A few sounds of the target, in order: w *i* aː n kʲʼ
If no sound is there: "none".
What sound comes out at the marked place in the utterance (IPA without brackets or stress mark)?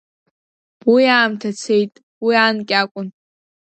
i